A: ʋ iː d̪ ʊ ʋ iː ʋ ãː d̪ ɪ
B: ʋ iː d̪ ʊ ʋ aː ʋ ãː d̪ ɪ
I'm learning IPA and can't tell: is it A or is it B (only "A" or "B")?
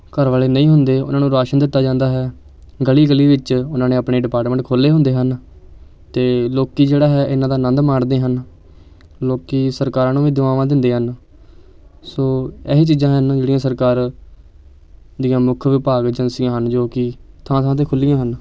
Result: B